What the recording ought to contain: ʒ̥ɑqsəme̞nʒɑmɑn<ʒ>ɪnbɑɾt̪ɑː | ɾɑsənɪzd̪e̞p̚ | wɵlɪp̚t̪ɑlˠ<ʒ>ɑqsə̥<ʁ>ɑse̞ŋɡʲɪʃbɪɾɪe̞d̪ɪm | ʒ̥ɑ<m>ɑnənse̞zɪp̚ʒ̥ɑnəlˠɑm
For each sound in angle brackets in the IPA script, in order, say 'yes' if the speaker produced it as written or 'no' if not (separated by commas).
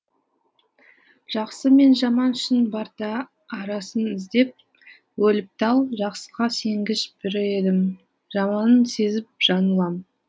no, yes, yes, yes